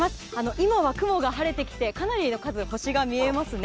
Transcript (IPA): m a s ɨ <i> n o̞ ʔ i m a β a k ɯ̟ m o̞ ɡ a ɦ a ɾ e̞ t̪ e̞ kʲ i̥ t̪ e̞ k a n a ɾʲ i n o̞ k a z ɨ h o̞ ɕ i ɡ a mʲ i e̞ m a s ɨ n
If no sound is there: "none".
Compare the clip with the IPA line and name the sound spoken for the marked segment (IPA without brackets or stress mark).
a